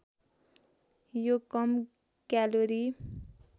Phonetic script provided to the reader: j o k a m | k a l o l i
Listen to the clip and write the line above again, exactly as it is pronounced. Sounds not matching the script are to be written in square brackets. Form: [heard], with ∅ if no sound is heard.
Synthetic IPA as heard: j o k [ʌ] m | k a l o [ɾ] i